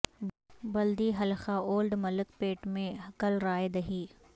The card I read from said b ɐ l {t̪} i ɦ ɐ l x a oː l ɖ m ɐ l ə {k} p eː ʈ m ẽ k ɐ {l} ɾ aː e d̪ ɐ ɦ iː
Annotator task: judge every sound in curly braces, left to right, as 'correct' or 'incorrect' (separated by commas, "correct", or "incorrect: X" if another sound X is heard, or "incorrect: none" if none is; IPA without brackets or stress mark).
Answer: incorrect: d̪, correct, correct